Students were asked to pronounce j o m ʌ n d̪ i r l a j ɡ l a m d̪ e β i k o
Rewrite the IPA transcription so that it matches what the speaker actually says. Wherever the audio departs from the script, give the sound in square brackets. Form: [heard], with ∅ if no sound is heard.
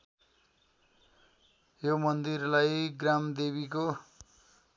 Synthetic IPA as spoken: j o m ʌ n d̪ i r l a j ɡ [r] a m d̪ e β i k o